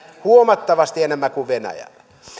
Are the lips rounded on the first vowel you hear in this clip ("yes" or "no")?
yes